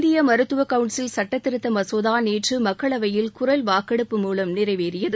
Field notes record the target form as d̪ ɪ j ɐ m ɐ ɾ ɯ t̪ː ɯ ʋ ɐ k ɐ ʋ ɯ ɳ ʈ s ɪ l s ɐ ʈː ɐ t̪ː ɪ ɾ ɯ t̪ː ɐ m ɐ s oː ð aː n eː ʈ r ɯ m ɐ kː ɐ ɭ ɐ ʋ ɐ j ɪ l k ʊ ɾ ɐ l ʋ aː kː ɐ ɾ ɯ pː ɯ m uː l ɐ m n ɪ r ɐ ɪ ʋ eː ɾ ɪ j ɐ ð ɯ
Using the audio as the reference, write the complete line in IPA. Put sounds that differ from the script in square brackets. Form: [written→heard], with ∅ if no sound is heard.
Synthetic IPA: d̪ ɪ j ɐ m ɐ ɾ ɯ t̪ː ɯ ʋ ɐ k ɐ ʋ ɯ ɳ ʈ s ɪ l s ɐ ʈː ɐ t̪ː ɪ ɾ ɯ t̪ː ɐ m ɐ s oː ð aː n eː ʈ r ɯ m ɐ kː ɐ ɭ ɐ ʋ ɐ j ɪ l k ʊ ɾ ɐ l ʋ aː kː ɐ [ɾ→ɽ] ɯ pː ɯ m uː l ɐ m n ɪ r ɐ ɪ ʋ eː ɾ ɪ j ɐ ð ɯ